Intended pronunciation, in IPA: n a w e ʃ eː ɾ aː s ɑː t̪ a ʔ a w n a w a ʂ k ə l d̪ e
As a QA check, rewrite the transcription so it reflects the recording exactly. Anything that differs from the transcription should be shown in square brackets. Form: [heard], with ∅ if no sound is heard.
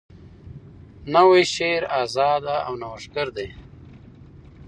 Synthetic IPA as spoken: n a w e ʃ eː ɾ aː [z] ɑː [d̪] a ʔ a w n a w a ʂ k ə [ɾ] d̪ e